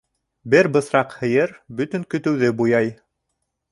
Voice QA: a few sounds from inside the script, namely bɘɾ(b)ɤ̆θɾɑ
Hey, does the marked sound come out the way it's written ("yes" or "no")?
yes